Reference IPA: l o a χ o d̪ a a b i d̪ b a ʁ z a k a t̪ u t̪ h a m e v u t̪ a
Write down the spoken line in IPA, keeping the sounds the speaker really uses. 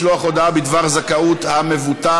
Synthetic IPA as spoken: l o a χ o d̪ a a b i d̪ v a ʁ z a k a u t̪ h a m e v u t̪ a